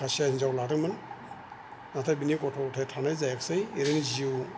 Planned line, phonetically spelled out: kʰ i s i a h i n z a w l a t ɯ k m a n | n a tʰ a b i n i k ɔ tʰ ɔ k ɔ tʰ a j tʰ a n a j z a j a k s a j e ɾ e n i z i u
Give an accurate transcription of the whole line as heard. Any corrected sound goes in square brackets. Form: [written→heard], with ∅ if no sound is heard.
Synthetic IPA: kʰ [i→a] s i a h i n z a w l a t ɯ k m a n | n a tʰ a b i n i k ɔ tʰ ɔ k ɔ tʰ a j tʰ a n a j z a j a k s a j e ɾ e n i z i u